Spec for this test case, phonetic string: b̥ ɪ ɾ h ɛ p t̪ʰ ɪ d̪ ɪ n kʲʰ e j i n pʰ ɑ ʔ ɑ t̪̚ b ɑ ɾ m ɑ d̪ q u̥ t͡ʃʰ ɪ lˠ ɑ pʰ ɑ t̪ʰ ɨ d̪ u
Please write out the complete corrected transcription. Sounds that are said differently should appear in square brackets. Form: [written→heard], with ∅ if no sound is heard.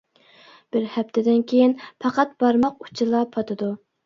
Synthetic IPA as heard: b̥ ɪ ɾ h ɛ p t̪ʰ ɪ d̪ ɪ n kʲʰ e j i n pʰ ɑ [ʔ→q] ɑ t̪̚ b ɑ ɾ m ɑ [d̪→∅] q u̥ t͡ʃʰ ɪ lˠ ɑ pʰ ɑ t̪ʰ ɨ d̪ u